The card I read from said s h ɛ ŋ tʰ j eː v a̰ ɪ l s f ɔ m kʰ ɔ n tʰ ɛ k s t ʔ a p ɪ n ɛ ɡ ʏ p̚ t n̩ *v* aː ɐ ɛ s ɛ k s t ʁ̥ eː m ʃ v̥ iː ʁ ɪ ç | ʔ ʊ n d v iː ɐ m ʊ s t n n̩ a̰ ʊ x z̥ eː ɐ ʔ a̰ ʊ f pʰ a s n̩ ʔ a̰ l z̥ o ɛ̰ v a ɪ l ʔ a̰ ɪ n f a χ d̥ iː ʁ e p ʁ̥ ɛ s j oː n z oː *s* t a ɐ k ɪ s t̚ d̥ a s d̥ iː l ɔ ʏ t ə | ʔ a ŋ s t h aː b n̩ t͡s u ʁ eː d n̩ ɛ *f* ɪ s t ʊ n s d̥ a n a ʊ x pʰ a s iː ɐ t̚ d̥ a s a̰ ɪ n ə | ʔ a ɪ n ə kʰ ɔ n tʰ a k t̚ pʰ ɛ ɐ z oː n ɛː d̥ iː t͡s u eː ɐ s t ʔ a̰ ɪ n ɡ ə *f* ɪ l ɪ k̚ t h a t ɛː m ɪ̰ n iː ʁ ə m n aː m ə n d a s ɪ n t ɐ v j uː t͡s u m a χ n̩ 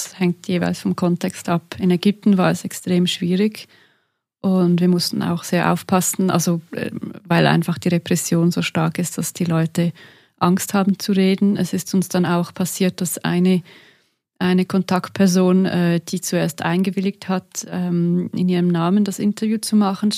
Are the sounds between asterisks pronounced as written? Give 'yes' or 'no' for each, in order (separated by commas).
yes, no, no, no